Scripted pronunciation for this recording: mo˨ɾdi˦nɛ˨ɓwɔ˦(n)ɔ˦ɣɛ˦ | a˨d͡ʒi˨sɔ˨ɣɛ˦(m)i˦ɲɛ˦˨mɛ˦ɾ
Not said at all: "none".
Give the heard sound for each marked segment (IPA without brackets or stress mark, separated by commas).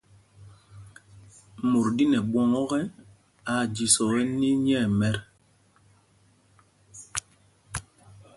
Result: ŋ, n